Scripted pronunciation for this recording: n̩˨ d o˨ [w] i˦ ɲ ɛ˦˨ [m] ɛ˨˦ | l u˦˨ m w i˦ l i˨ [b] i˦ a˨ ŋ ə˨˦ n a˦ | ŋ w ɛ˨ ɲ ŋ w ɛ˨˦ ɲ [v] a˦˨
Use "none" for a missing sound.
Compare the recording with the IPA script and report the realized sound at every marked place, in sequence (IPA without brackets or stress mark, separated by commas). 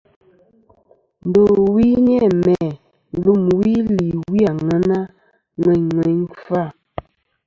w, m, w, f